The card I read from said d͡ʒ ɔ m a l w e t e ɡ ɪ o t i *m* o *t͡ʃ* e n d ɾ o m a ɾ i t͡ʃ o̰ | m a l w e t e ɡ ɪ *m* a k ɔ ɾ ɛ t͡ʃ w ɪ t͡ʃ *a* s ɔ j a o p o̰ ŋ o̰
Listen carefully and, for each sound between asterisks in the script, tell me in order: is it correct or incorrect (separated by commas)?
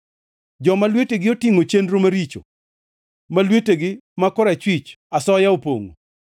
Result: incorrect, correct, correct, correct